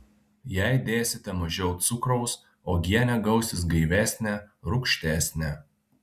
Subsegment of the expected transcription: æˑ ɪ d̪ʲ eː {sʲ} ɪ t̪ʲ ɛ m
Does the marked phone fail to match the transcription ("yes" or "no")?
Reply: no